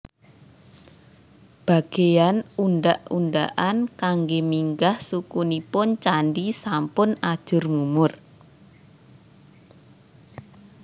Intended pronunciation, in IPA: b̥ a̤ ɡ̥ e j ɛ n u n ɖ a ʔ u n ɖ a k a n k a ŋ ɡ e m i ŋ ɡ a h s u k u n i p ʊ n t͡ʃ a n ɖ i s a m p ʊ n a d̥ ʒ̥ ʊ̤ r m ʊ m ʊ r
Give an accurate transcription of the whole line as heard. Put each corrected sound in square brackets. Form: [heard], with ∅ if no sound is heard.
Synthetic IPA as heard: b̥ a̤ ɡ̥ e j [a] n u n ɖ a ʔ u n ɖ a [ʔ] a n k a ŋ ɡ e m i ŋ ɡ a h s u k u n i p ʊ n t͡ʃ a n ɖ i s a m p ʊ n a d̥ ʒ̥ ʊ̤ r m [u] m ʊ r